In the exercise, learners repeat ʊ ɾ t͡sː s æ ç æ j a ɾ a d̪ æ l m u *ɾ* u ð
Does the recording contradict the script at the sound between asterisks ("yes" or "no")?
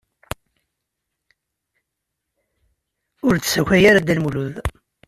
yes